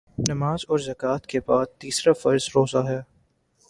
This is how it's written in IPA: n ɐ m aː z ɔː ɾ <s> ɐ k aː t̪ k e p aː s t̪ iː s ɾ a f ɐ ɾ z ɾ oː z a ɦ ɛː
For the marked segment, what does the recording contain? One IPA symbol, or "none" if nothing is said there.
z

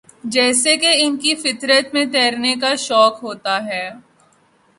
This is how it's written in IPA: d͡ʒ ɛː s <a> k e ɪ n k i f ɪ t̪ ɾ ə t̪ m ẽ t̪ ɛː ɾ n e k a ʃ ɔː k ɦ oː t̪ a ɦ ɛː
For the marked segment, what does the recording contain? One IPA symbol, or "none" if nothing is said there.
e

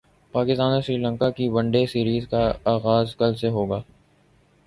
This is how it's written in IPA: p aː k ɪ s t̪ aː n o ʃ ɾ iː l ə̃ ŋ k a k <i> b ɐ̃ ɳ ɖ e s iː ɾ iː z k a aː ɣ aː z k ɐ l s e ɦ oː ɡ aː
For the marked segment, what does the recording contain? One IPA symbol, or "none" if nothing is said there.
i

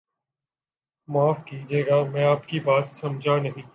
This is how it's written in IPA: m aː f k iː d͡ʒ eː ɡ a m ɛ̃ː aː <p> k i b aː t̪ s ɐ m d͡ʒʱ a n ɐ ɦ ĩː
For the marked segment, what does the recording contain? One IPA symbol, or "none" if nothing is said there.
p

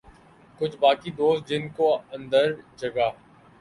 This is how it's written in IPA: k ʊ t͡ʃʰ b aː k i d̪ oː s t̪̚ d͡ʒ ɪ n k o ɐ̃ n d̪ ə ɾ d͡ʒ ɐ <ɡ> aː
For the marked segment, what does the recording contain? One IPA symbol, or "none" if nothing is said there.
ɡ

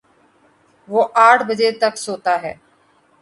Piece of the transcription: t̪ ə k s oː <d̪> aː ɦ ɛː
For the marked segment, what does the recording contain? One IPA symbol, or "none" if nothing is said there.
t̪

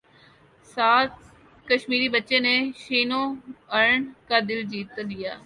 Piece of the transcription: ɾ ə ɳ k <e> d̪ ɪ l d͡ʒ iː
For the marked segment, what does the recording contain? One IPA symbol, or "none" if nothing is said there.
a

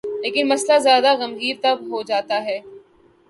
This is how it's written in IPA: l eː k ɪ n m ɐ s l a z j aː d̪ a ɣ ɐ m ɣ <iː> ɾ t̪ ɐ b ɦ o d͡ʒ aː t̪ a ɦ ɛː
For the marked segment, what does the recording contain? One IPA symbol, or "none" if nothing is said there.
iː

